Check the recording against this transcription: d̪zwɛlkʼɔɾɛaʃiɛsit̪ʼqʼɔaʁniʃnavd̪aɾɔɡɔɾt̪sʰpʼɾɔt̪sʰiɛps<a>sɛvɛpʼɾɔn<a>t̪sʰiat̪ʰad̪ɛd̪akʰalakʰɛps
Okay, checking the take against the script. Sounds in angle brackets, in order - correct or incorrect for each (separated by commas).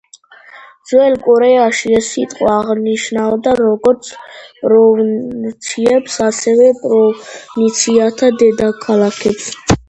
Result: correct, incorrect